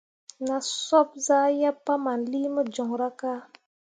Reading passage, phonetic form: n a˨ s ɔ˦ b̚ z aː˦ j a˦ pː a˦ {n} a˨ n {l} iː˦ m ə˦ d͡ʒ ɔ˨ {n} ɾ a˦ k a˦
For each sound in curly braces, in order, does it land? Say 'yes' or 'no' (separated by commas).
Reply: no, yes, no